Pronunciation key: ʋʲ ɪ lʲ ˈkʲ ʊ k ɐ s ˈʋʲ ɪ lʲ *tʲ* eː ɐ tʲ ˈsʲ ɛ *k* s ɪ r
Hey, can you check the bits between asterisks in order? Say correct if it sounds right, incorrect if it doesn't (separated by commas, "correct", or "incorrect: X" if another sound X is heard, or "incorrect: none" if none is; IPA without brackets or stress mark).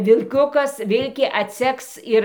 incorrect: kʲ, correct